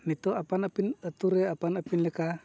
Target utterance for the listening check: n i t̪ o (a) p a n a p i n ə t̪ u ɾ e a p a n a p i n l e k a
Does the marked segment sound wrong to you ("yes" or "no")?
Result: no